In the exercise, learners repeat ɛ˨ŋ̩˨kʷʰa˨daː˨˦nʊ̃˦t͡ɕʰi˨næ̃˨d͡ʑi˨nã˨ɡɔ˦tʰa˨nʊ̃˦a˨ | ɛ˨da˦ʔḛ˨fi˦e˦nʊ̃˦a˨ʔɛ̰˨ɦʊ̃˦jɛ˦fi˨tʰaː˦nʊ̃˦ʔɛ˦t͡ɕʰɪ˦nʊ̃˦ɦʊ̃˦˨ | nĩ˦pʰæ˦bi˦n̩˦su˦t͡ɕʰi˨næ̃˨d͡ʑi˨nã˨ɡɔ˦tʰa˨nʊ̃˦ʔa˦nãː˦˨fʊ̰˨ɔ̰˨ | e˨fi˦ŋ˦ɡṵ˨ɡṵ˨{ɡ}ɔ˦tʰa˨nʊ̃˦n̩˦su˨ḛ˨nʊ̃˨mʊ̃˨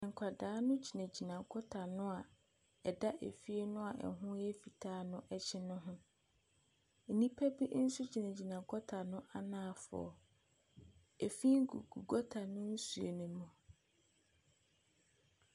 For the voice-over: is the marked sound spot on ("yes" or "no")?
yes